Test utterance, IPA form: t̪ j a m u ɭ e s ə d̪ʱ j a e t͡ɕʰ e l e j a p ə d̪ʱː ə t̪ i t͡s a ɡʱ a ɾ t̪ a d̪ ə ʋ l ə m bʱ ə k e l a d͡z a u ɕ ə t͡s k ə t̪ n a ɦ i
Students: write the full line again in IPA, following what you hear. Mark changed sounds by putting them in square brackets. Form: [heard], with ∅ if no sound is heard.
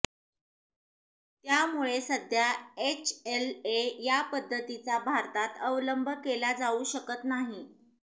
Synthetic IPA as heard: t̪ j a m u ɭ e s ə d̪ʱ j a e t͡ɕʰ e l e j a p ə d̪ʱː ə t̪ i t͡s a [bʱ] a ɾ t̪ a [t̪] ə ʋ l ə m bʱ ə k e l a d͡z a u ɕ ə [∅] k ə t̪ n a ɦ i